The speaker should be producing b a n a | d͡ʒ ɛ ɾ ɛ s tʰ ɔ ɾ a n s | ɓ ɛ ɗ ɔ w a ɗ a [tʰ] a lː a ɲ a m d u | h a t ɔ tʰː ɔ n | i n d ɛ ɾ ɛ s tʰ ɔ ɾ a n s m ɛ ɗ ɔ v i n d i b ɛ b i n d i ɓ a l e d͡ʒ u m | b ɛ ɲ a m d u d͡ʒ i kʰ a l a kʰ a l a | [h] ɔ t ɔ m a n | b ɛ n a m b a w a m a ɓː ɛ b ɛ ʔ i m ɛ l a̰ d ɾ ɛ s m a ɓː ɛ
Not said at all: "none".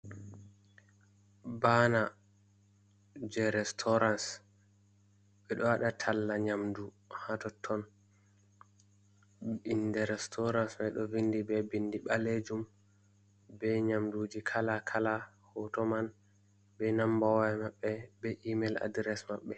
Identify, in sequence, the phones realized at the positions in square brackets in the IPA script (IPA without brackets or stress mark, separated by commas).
tʰ, h